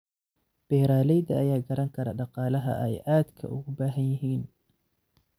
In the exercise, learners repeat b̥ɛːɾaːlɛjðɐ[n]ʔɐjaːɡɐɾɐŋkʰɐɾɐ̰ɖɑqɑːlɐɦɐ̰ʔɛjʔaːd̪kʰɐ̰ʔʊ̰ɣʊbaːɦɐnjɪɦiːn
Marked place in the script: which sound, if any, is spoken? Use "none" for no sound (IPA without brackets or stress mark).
none